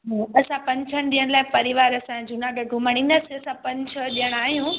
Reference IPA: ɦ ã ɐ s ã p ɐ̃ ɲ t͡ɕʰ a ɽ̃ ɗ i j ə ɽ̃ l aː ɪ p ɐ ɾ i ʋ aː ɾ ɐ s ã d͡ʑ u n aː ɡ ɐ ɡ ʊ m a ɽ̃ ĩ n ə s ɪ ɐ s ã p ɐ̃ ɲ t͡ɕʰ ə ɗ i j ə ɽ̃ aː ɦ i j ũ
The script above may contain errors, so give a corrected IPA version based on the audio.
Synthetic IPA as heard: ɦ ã ɐ s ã p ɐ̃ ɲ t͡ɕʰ ə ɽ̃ ɗ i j ə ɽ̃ l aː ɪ p ɐ ɾ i ʋ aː ɾ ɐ s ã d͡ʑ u n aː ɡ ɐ ɡ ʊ m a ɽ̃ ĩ n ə s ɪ ɐ s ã p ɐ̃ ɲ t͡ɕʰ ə ɗ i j ə ɽ̃ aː ɦ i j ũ